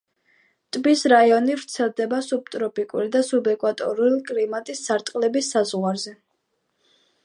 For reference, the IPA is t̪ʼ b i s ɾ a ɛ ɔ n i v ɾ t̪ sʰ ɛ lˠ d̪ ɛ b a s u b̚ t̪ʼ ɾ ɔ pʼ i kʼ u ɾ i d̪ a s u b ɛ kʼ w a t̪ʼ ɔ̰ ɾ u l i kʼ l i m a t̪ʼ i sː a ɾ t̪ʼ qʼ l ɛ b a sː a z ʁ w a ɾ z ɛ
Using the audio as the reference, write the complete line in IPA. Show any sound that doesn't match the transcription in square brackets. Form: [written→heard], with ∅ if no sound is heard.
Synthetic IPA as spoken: t̪ʼ b i s ɾ a [ɛ→i] ɔ n i v ɾ t̪ sʰ ɛ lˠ d̪ ɛ b a s u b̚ t̪ʼ ɾ ɔ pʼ i kʼ u ɾ i d̪ a s u b ɛ kʼ w a t̪ʼ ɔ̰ ɾ u l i kʼ l i m a t̪ʼ i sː a ɾ t̪ʼ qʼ l ɛ b [a→i] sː a z ʁ w a ɾ z ɛ